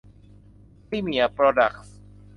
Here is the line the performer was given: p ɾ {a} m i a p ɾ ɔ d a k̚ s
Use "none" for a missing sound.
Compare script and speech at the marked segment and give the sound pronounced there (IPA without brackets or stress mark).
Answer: i